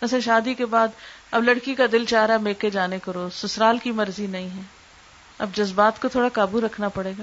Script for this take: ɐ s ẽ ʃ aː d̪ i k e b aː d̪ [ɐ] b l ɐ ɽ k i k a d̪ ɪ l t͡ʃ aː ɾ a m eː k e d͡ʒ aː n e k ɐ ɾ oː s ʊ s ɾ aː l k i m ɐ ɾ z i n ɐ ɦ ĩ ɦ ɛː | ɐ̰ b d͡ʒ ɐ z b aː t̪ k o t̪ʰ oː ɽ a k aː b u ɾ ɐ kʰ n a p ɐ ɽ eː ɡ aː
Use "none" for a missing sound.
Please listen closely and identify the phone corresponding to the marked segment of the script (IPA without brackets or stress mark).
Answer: ɐ